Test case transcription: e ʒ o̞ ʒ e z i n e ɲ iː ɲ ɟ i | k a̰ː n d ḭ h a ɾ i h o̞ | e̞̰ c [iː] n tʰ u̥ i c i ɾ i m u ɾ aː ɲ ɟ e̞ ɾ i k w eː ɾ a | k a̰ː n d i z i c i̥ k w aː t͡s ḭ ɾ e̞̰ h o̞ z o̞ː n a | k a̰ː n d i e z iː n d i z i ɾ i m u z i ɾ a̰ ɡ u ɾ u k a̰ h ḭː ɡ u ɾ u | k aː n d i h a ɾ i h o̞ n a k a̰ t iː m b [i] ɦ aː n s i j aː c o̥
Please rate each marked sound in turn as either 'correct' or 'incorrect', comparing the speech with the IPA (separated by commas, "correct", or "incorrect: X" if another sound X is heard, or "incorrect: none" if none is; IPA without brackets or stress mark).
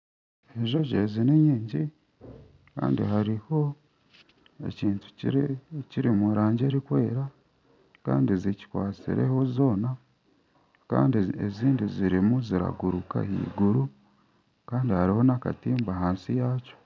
correct, incorrect: a